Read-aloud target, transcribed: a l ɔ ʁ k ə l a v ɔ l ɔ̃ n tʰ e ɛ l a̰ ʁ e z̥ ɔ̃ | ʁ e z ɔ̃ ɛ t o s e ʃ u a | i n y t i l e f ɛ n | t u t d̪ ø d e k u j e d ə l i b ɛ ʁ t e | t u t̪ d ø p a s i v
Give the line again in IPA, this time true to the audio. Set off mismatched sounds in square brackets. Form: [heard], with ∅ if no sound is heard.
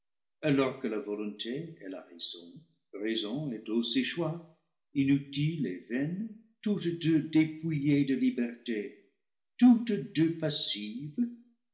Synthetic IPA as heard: a l ɔ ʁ k ə l a v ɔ l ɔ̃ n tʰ e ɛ l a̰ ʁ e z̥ ɔ̃ | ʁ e z ɔ̃ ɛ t o s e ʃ [w] a | i n y t i l e [v] ɛ n | t u t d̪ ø d e [p] u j e d ə l i b ɛ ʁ t e | t u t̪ d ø p a s i v

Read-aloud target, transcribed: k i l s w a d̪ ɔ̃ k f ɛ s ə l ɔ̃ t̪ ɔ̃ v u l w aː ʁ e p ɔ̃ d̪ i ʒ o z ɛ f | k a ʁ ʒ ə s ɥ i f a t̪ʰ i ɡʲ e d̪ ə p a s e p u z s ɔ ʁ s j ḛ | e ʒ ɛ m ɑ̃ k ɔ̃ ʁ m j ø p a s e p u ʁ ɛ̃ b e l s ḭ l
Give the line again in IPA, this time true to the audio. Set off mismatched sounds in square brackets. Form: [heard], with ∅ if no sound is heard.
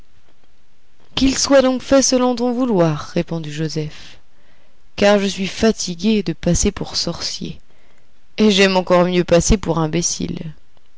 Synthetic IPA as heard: k i l s w a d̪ ɔ̃ k f ɛ s ə l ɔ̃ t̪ ɔ̃ v u l w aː [ʁː] e p ɔ̃ d̪ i ʒ o z ɛ f | k a ʁ ʒ ə s ɥ i f a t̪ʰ i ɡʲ e d̪ ə p a s e p u [ʁ] s ɔ ʁ s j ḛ | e ʒ ɛ m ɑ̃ k [ɔ] ʁ m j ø p a s e p u ʁ ɛ̃ b e [∅] s ḭ l

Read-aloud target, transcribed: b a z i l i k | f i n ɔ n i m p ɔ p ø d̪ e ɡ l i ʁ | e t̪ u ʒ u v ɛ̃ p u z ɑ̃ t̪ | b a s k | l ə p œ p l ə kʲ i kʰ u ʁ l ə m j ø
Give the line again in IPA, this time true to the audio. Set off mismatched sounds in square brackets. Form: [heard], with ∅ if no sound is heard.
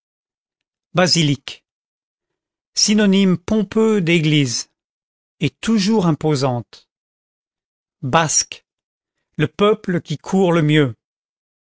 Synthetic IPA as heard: b a z i l i k | [s] i n ɔ n i m p [ɔ̃] p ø d̪ e ɡ l i [z] | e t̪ u ʒ u [ʁ] ɛ̃ p [o] z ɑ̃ t̪ | b a s k | l ə p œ p l ə kʲ i kʰ u ʁ l ə m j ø

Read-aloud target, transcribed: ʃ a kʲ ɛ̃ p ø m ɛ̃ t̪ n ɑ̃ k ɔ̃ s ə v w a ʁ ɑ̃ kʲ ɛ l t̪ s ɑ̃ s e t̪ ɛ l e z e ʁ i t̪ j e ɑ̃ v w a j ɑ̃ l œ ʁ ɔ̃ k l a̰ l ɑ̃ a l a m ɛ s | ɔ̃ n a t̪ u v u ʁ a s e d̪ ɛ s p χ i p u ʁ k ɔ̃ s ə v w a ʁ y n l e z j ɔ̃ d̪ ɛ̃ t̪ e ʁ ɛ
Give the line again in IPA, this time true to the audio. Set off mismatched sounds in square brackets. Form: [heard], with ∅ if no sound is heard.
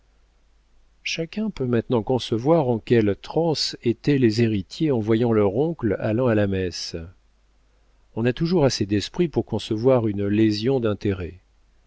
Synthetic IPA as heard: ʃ a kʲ ɛ̃ p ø m ɛ̃ t̪ n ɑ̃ k ɔ̃ s ə v w a ʁ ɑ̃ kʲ ɛ l t̪ [χ] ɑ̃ s e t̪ ɛ l e z e ʁ i t̪ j e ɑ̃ v w a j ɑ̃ l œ ʁ ɔ̃ k l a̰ l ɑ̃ a l a m ɛ s | ɔ̃ n a t̪ u [ʒ] u ʁ a s e d̪ ɛ s p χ i p u ʁ k ɔ̃ s ə v w a ʁ y n l e z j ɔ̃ d̪ ɛ̃ t̪ e ʁ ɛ

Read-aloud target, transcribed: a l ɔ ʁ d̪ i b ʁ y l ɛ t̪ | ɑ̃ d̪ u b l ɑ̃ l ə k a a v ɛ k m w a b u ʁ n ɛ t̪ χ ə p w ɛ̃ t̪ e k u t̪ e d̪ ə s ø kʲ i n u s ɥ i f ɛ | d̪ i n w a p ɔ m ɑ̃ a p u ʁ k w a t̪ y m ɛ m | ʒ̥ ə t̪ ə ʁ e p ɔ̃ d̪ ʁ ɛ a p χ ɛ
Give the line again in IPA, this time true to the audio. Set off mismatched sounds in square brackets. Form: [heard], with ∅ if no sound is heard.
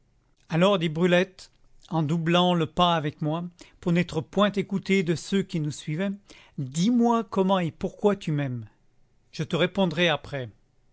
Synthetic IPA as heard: a l ɔ ʁ d̪ i b ʁ y l ɛ t̪ | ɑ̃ d̪ u b l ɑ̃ l ə [p] a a v ɛ k m w a [p] u ʁ n ɛ t̪ χ ə p w ɛ̃ t̪ e k u t̪ e d̪ ə s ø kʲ i n u s ɥ i [v] ɛ | d̪ i [m] w a [k] ɔ m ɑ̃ [e] p u ʁ k w a t̪ y m ɛ m | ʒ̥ ə t̪ ə ʁ e p ɔ̃ d̪ ʁ ɛ a p χ ɛ

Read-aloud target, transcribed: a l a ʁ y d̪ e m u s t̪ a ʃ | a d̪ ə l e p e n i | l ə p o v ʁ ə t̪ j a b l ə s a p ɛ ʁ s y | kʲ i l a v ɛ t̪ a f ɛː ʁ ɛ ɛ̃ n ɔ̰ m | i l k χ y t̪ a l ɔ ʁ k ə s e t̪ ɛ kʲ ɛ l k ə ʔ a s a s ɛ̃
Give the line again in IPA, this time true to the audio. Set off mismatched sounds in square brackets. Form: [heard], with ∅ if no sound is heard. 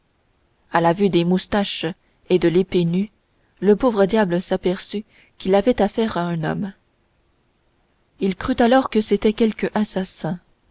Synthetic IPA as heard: a l a [v] y d̪ e m u s t̪ a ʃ | [e] d̪ ə l e p e n [y] | l ə p o v ʁ ə [d̪] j a b l ə s a p ɛ ʁ s y | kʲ i l a v ɛ t̪ a f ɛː ʁ [a] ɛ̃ n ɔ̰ m | i l k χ y t̪ a l ɔ ʁ k ə s e t̪ ɛ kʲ ɛ l k ə ʔ a s a s ɛ̃

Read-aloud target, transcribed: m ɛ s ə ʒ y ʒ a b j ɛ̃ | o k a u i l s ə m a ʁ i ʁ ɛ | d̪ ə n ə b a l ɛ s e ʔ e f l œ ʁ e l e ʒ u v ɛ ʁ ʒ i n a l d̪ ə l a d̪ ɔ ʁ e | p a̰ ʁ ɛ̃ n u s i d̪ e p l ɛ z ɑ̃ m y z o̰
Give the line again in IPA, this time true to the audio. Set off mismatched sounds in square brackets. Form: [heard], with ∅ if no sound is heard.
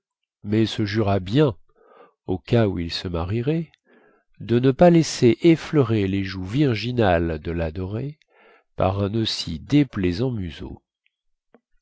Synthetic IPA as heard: m ɛ s ə ʒ y [ʁ] a b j ɛ̃ | o k a u i l s ə m a ʁ i ʁ ɛ | d̪ ə n ə [p] a l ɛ s e ʔ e f l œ ʁ e l e ʒ u v [i] ʁ ʒ i n a l d̪ ə l a d̪ ɔ ʁ e | p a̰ ʁ ɛ̃ n [o] s i d̪ e p l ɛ z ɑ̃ m y z o̰

